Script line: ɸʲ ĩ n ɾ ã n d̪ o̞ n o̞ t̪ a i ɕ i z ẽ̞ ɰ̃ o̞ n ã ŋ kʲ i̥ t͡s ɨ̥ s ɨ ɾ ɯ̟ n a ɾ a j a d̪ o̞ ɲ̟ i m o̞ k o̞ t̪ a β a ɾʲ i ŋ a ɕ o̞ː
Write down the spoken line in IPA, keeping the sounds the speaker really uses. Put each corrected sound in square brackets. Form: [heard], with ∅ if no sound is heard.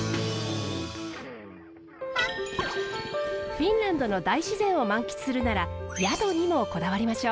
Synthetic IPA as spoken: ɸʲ ĩ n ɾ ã n d̪ o̞ n o̞ [d̪] a i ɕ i z ẽ̞ ɰ̃ o̞ [m] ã ŋ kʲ i̥ t͡s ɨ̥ s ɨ ɾ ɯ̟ n a ɾ a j a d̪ o̞ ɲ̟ i m o̞ k o̞ [d̪] a β a ɾʲ i [m] a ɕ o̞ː